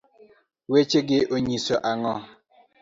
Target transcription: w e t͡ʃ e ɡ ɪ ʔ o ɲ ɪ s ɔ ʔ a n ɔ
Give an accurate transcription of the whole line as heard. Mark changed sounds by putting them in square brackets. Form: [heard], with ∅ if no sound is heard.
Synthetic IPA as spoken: w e t͡ʃ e ɡ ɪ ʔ o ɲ [i] s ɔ ʔ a [ŋ] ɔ